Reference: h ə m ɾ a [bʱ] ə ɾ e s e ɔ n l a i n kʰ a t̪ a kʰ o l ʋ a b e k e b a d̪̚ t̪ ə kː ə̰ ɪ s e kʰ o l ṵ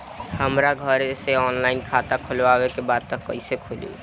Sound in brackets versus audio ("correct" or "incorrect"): incorrect